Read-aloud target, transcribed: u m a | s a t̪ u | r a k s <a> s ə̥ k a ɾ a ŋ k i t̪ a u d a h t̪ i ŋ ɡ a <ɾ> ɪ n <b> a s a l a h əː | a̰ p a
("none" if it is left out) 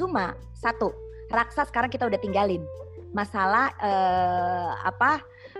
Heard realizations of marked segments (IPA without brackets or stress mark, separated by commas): a, l, m